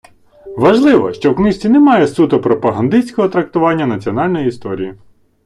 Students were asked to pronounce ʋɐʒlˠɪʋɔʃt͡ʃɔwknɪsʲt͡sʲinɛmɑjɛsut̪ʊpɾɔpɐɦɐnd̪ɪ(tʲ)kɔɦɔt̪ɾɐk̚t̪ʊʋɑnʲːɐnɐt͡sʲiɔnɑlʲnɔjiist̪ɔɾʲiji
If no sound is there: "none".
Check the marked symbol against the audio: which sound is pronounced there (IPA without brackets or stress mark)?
sʲ